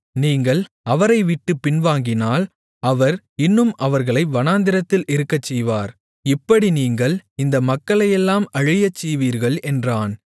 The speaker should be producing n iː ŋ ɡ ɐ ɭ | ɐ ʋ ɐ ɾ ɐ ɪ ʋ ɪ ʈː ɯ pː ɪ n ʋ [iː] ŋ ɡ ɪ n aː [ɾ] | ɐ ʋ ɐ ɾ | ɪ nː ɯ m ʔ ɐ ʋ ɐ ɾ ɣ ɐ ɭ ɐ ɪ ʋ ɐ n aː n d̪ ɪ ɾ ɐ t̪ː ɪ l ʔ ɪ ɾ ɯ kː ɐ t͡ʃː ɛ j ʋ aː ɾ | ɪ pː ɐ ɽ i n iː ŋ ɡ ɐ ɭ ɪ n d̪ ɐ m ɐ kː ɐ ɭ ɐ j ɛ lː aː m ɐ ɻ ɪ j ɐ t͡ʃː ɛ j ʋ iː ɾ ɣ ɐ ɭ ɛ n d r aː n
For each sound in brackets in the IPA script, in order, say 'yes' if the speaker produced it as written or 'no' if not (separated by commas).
no, no